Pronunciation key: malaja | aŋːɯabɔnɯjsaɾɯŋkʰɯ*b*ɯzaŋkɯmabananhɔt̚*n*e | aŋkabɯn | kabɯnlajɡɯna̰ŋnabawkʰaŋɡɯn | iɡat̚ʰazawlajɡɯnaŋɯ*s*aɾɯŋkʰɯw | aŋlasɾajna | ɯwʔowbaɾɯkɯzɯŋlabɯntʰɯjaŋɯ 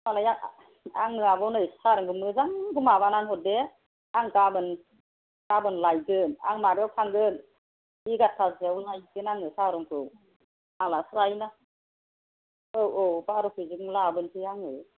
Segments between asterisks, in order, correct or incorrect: incorrect, incorrect, correct

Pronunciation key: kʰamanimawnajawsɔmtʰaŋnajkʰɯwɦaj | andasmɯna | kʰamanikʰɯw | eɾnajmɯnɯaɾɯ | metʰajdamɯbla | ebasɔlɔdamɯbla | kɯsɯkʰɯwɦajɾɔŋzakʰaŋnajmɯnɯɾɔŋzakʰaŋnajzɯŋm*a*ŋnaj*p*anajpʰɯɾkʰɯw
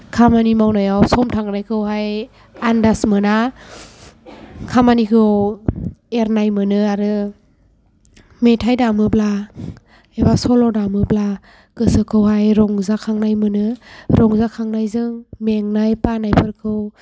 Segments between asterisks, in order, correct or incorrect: incorrect, correct

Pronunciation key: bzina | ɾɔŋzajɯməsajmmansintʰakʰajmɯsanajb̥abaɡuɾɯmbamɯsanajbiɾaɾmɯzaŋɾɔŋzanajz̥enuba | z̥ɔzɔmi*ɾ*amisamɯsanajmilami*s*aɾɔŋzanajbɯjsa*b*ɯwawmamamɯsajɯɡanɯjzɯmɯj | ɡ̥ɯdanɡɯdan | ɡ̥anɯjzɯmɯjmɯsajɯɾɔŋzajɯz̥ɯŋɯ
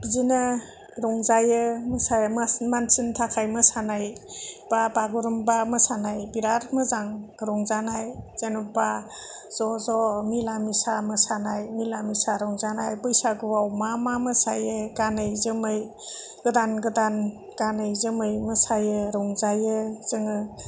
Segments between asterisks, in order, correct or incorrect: incorrect, correct, incorrect

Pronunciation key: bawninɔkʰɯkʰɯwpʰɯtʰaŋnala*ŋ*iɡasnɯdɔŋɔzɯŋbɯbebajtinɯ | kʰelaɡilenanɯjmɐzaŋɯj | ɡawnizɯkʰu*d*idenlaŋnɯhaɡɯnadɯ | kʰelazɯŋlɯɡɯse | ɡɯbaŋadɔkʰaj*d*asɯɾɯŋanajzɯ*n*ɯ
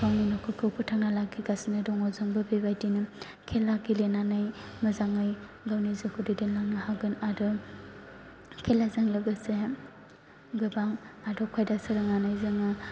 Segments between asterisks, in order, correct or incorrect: incorrect, correct, correct, incorrect

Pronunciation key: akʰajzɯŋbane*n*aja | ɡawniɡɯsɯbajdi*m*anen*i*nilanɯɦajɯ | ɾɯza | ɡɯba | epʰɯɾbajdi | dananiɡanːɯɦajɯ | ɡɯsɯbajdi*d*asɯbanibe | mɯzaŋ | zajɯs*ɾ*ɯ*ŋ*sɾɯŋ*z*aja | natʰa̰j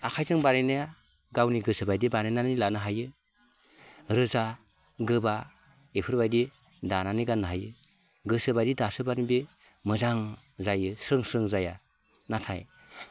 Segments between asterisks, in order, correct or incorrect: correct, incorrect, incorrect, correct, correct, correct, correct

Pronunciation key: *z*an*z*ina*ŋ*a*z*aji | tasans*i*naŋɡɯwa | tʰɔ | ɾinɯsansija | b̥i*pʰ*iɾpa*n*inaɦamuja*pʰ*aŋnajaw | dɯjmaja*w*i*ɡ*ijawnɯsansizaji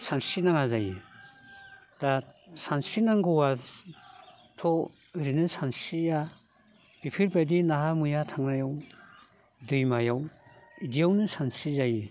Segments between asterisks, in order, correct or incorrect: incorrect, incorrect, correct, correct, correct, correct, incorrect, incorrect, correct, incorrect

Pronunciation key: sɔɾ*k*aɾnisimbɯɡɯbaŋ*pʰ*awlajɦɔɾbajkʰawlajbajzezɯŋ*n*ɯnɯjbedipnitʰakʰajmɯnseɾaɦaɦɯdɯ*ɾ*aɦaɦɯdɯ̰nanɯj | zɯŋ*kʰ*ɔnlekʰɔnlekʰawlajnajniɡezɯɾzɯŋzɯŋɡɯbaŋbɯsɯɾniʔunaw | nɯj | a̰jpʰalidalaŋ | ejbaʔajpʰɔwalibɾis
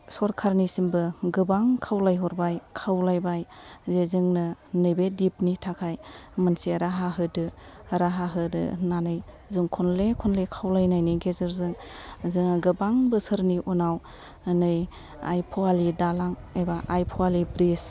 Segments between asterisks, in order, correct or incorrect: incorrect, incorrect, correct, correct, correct

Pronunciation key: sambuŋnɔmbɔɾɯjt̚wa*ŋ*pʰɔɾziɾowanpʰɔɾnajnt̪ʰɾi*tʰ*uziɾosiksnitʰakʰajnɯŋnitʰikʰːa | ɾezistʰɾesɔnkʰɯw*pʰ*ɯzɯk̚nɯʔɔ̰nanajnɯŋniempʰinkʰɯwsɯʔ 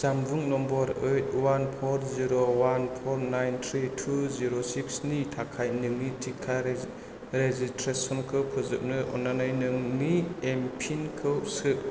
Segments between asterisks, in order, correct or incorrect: incorrect, correct, correct

